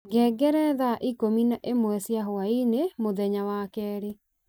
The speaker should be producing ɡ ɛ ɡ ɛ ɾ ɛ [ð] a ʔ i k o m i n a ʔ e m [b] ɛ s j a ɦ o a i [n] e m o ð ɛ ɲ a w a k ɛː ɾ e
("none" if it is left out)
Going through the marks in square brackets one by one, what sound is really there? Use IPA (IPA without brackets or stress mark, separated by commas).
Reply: ð, w, n